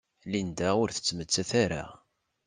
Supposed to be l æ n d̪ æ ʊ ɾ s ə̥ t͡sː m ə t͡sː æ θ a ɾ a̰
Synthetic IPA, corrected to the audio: l i n d̪ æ ʊ ɾ θ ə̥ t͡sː m ə t͡sː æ θ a ɾ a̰